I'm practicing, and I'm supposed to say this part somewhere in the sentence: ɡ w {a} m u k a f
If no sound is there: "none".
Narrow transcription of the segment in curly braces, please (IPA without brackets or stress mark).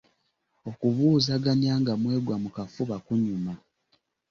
a